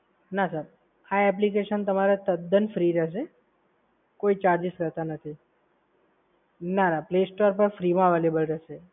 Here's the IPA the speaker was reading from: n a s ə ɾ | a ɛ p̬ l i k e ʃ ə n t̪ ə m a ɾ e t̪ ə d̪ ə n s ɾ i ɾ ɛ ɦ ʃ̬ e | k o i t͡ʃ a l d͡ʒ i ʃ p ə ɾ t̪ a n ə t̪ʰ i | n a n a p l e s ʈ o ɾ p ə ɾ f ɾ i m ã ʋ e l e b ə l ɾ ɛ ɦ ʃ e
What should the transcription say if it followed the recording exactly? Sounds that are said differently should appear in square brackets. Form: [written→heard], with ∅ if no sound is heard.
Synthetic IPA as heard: n a s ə ɾ | a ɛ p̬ l i k e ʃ ə n t̪ ə m a ɾ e t̪ ə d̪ ə n [s→f] ɾ i ɾ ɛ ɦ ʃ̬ e | k o i t͡ʃ a [l→ɾ] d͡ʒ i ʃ [p→k] ə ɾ t̪ a n ə t̪ʰ i | n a n a p l e s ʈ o ɾ p ə ɾ f ɾ i m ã ʋ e l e b ə l ɾ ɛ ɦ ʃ e

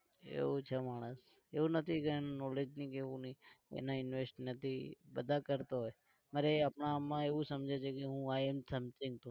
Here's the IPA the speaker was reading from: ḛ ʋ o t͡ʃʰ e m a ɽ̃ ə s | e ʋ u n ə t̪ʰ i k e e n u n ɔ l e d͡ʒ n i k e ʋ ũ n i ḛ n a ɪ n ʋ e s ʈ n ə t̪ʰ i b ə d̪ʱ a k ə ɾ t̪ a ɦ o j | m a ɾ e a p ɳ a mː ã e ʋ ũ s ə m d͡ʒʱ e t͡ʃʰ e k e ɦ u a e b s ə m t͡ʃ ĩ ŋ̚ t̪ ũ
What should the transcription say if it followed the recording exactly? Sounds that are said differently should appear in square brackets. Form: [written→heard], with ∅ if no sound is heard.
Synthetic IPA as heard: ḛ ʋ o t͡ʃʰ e m a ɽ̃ ə s | e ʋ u n ə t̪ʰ i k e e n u n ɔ l e d͡ʒ n i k e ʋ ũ n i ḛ n a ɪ n ʋ e s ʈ n ə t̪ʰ i b ə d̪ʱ a k ə ɾ t̪ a ɦ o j | m a ɾ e a p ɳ a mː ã e ʋ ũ s ə m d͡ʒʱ e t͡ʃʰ e k e ɦ [u→ũ] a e [b→m] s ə m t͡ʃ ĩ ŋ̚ t̪ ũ

